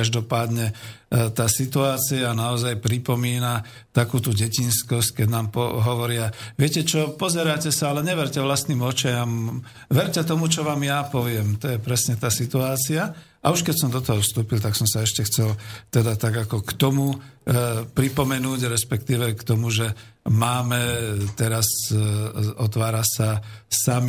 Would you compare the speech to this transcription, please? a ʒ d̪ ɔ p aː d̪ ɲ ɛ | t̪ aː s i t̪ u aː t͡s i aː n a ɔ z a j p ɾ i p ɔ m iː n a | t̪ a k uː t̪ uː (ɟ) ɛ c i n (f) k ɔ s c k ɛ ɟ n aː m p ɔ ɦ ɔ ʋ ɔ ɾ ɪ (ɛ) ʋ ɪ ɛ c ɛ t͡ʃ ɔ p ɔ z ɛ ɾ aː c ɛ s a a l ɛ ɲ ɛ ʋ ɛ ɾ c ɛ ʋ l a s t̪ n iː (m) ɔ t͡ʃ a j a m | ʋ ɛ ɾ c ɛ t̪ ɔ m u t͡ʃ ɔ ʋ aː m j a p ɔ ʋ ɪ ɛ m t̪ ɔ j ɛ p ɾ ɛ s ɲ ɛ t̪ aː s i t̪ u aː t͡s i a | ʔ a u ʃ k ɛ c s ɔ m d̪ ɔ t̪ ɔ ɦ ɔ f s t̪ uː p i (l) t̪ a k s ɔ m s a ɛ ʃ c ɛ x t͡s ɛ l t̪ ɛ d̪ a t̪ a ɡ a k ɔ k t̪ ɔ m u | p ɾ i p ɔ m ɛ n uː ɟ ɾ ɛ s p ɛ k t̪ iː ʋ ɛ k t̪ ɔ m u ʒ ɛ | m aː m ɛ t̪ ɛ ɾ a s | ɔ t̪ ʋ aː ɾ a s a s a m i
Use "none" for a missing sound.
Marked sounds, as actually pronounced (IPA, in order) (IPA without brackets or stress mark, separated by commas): ɟ, s, a, m, l